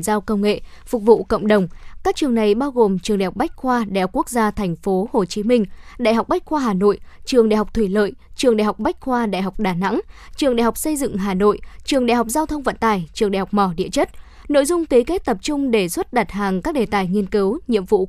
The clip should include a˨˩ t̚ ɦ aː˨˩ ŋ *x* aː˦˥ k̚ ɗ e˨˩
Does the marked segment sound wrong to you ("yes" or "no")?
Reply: yes